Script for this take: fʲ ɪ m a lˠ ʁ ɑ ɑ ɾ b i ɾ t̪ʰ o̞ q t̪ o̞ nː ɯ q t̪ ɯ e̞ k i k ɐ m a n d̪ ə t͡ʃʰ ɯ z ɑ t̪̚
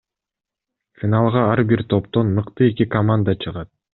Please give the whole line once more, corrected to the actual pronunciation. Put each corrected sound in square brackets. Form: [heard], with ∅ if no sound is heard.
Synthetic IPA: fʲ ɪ [n] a lˠ ʁ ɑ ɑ ɾ b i ɾ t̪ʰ o̞ [p] t̪ o̞ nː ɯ q t̪ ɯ e̞ k i k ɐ m a n d̪ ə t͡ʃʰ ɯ [ʁ] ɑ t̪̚